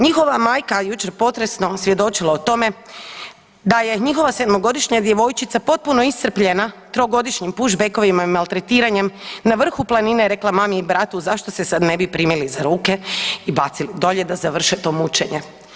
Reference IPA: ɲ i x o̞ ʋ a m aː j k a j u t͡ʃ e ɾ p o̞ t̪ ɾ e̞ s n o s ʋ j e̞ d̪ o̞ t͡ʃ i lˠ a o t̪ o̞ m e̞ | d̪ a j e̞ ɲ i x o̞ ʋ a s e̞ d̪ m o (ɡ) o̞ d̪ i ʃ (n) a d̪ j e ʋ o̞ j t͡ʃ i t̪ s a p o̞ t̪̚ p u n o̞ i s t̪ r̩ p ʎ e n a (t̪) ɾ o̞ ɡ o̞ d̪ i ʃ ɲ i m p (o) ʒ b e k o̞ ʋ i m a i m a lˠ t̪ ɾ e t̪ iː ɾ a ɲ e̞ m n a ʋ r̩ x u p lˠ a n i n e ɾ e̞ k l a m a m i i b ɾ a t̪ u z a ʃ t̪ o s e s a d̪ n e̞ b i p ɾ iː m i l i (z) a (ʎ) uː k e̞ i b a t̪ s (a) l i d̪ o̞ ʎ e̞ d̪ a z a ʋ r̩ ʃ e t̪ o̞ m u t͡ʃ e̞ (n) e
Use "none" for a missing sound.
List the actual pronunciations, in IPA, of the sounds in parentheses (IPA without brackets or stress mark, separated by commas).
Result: ɡ, ɲ, t̪, u, z, ɾ, i, ɲ